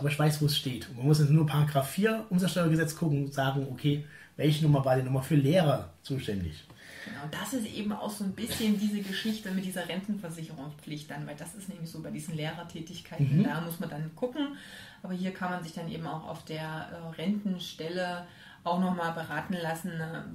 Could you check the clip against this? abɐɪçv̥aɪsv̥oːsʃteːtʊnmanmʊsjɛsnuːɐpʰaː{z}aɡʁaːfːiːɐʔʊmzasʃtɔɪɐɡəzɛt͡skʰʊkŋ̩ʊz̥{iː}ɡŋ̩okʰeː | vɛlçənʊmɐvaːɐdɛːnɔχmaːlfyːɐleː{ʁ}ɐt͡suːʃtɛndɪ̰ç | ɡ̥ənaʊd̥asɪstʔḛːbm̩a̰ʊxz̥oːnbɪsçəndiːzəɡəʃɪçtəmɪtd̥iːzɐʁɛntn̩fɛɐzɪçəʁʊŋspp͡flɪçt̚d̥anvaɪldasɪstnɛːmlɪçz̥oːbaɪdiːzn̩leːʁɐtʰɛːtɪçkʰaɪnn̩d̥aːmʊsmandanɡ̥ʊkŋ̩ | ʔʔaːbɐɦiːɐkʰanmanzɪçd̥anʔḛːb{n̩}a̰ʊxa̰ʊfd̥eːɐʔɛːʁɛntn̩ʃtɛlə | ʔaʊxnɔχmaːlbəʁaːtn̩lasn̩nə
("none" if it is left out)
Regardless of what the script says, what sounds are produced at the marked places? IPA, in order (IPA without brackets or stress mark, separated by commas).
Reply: ʁ, aː, ʁ, m̩